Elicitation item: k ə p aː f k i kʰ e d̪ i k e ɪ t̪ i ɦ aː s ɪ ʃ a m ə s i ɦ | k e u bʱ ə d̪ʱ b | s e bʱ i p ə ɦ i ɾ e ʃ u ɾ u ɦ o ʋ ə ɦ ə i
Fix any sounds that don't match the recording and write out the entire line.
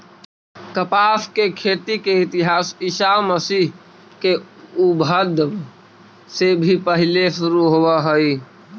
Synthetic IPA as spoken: k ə p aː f k e kʰ e t̪ i k e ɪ t̪ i ɦ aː s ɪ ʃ a m ə s i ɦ | k e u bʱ ə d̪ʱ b | s e bʱ i p ə ɦ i l e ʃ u ɾ u ɦ o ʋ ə ɦ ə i